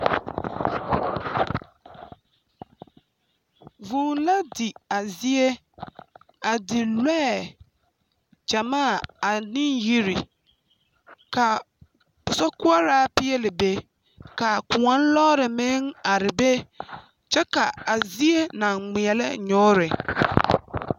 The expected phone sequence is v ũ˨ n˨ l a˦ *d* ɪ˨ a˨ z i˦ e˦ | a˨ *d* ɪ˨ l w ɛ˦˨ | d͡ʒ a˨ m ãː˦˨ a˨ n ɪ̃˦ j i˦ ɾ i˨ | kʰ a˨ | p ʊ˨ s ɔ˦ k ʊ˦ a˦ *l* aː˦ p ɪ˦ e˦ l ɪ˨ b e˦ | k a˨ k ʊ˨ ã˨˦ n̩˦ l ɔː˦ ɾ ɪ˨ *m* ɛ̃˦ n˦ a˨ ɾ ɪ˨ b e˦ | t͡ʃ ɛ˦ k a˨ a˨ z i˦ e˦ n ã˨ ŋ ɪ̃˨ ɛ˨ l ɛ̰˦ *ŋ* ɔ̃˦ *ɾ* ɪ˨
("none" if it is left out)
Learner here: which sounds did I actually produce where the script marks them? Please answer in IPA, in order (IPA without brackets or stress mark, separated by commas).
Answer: d, d, ɾ, m, ɲ, ɾ